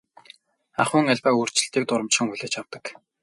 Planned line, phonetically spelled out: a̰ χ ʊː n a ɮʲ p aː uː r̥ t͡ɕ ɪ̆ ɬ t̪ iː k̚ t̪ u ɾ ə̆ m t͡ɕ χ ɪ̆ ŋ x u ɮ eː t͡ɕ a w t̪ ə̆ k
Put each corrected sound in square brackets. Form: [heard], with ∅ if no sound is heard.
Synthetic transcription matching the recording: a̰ χ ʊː [ŋ] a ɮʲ p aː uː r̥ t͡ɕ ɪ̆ ɬ t̪ iː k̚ t̪ [ʊ] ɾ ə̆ m t͡ɕ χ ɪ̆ ŋ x u ɮ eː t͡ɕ a w t̪ ə̆ k